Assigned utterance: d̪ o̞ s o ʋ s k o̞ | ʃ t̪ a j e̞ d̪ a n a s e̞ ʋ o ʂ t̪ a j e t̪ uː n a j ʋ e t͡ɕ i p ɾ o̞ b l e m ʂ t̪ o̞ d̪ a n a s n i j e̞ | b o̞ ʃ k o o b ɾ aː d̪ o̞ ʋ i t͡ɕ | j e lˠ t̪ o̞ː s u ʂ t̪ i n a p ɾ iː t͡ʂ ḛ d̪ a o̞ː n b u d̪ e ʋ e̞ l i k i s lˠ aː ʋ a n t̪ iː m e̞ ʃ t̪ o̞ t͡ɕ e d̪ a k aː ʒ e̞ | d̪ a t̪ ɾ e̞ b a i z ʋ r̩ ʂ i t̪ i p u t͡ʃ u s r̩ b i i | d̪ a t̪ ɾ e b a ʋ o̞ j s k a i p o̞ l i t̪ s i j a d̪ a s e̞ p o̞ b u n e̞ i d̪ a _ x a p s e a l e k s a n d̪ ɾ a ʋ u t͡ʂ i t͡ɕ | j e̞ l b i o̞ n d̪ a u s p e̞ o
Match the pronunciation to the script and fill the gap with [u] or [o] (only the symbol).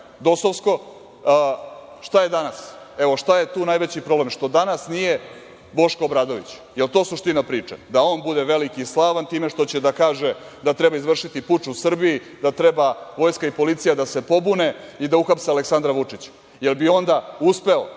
u